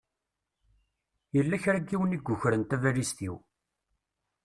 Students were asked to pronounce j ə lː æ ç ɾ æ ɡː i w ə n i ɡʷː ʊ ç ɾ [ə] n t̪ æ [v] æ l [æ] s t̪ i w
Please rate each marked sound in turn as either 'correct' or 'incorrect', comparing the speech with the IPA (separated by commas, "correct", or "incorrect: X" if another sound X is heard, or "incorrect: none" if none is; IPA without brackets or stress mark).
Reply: correct, correct, incorrect: i